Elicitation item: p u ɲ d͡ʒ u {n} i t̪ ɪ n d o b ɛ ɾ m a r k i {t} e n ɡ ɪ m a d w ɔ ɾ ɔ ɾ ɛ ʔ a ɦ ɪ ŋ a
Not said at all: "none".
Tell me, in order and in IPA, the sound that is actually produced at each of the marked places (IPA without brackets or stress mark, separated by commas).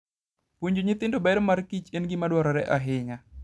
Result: ɲ, t͡ʃ